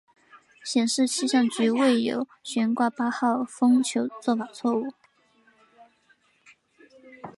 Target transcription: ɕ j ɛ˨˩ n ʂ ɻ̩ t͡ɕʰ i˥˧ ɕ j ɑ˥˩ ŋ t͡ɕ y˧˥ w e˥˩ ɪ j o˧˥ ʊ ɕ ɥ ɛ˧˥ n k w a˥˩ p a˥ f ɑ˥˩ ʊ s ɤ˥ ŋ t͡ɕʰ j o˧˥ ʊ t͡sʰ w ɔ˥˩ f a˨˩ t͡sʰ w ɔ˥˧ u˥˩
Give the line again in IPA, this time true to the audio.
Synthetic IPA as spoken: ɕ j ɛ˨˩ n ʂ ɻ̩ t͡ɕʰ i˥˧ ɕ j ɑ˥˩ ŋ t͡ɕ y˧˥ w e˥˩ ɪ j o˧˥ ʊ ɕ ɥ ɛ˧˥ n k w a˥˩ p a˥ x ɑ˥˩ ʊ f ɤ˥ ŋ t͡ɕʰ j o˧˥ ʊ t͡s w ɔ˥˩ f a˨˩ t͡sʰ w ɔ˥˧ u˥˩

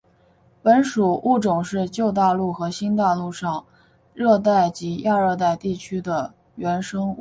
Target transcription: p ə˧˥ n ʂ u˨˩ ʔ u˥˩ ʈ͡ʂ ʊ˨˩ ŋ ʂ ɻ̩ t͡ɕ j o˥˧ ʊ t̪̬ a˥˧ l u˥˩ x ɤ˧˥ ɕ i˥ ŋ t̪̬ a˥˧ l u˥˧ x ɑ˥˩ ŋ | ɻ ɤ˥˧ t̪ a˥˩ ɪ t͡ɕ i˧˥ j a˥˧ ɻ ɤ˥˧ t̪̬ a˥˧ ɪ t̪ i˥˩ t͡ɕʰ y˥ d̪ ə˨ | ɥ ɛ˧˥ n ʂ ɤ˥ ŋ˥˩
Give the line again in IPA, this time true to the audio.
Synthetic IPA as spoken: p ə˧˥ n ʂ u˨˩ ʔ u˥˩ ʈ͡ʂ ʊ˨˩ ŋ ʂ ɻ̩ t͡ɕ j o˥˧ ʊ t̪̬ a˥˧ l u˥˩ x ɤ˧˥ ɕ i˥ n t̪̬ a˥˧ l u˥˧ ʂ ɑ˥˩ ŋ | ɻ ɤ˥˧ t̪ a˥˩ ɪ t͡ɕ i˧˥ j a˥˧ ɻ ɤ˥˧ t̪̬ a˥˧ ɪ t̪ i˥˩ t͡ɕʰ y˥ d̪ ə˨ | ɥ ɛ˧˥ n ʂ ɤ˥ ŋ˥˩

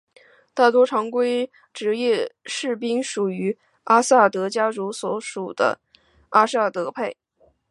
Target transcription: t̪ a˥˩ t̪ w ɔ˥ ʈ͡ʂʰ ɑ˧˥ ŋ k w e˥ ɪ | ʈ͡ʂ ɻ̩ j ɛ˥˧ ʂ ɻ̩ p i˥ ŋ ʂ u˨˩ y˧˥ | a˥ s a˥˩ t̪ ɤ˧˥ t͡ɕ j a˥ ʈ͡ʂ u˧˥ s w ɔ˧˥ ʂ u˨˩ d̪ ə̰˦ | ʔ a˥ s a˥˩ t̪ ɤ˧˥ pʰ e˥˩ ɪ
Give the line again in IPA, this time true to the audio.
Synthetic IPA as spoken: t̪ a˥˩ t̪ w ɔ˥ ʈ͡ʂʰ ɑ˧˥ ŋ k w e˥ ɪ | ʈ͡ʂ ɻ̩ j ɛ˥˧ ʂ ɻ̩ p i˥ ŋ ʂ u˨˩ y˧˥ | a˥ s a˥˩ t̪ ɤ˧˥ t͡ɕ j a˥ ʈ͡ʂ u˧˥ s w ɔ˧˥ ʂ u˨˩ d̪ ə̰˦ | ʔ a˥ s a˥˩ t̪ ɤ˧˥ pʰ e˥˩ ɪ

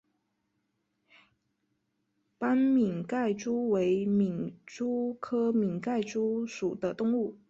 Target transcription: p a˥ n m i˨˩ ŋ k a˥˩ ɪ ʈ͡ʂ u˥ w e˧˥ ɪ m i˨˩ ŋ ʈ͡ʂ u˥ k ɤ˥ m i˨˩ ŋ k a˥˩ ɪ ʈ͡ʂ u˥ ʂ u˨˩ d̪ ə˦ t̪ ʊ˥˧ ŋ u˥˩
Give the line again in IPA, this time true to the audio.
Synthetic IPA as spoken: p a˥ n m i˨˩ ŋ k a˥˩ ɪ ʈ͡ʂ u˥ w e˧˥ ɪ m i˨˩ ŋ ʈ͡ʂ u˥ kʰ ɤ˥ m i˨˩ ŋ k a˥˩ ɪ ʈ͡ʂ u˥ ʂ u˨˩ d̪ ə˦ t̪ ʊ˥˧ ŋ u˥˩

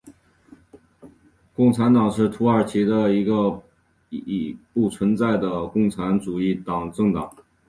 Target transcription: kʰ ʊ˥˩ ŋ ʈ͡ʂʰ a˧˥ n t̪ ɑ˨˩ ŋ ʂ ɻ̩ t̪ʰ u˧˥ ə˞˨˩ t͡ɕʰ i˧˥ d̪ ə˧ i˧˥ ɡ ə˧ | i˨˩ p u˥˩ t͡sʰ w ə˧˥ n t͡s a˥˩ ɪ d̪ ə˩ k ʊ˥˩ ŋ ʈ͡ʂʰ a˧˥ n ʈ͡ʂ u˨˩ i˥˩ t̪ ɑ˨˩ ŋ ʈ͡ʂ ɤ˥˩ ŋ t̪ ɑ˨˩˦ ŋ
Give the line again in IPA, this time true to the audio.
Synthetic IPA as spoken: k ʊ˥˩ ŋ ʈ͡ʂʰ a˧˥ n t̪ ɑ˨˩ ŋ ʂ ɻ̩ t̪ʰ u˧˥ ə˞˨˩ t͡ɕʰ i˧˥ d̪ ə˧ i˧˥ ɡ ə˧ | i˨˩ p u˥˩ t͡sʰ w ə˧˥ n t͡s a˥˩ ɪ d̪ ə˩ k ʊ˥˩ ŋ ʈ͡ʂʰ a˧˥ n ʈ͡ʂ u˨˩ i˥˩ t̪ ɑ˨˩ ŋ ʈ͡ʂ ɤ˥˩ ŋ t̪ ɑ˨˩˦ ŋ

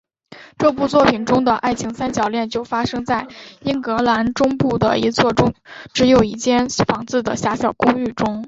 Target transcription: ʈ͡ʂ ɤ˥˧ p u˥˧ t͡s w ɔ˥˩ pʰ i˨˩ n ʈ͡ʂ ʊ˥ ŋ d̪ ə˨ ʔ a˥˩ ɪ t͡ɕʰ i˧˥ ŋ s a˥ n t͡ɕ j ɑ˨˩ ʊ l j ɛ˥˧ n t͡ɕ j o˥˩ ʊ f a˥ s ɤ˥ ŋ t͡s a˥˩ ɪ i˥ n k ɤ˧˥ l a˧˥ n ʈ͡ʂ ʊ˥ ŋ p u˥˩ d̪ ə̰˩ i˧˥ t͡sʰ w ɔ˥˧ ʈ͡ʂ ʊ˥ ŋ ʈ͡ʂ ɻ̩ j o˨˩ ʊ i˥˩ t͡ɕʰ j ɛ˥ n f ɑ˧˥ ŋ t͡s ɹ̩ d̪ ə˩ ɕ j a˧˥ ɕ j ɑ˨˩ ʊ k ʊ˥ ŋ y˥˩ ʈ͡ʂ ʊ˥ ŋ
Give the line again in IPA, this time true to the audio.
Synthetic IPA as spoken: ʈ͡ʂ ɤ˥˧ p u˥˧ t͡s w ɔ˥˩ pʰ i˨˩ n ʈ͡ʂ ʊ˥ ŋ d̪ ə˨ ʔ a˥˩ ɪ t͡ɕʰ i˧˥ ŋ s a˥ n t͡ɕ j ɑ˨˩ ʊ l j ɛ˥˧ n t͡ɕ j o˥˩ ʊ f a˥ ʂ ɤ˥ ŋ t͡s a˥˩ ɪ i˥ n k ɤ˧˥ l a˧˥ n ʈ͡ʂ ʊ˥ ŋ p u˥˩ d̪ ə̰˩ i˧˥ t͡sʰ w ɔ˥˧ ʈ͡ʂ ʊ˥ ŋ ʈ͡ʂ ɻ̩ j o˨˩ ʊ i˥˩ t͡ɕ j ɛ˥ n f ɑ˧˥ ŋ t͡s ɹ̩ d̪ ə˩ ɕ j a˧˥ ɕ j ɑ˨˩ ʊ k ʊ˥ ŋ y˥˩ ʈ͡ʂ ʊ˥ ŋ

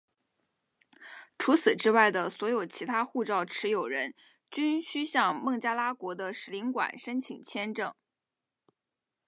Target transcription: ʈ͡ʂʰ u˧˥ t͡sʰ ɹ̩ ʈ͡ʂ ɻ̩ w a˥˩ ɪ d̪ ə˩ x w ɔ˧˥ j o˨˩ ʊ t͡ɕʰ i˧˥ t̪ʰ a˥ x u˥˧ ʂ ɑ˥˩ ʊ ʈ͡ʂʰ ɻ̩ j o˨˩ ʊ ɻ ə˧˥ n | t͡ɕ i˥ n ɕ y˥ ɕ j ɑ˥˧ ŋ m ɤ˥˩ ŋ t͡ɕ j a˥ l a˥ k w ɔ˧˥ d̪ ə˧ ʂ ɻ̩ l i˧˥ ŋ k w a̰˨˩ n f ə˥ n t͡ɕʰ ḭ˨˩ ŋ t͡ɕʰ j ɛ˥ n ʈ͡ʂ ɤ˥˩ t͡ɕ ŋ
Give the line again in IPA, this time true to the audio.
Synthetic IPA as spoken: ʈ͡ʂʰ u˧˥ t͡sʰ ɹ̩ ʈ͡ʂ ɻ̩ w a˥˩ ɪ d̪ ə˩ s w ɔ˧˥ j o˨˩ ʊ t͡ɕʰ i˧˥ t̪ʰ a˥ x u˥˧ ʈ͡ʂ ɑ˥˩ ʊ ʈ͡ʂʰ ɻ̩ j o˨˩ ʊ ɻ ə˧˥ n | t͡ɕ y˥ n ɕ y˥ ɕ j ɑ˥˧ ŋ m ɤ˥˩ ŋ t͡ɕ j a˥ l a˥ k w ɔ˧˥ d̪ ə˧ ʂ ɻ̩ l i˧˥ ŋ k w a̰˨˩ n ʂ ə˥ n t͡ɕʰ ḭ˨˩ ŋ t͡ɕʰ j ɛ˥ n ʈ͡ʂ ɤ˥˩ ŋ

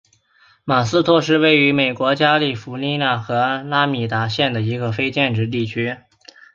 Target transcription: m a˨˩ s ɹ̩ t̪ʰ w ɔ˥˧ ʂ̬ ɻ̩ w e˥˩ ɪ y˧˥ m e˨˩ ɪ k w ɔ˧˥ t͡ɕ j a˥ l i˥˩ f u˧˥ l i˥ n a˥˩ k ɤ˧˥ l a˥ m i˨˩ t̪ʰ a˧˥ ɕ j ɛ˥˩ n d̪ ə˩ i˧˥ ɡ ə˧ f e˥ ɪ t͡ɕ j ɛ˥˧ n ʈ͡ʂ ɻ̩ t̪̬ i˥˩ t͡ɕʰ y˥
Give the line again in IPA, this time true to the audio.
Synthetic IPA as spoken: m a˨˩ s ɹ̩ t̪ʰ w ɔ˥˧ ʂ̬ ɻ̩ w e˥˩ ɪ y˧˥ m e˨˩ ɪ k w ɔ˧˥ t͡ɕ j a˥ l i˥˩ f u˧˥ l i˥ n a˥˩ x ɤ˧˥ l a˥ m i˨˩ t̪ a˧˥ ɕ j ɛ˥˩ n d̪ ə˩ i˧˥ ɡ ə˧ f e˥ ɪ t͡ɕ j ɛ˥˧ n ʈ͡ʂ ɻ̩ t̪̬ i˥˩ t͡ɕʰ y˥

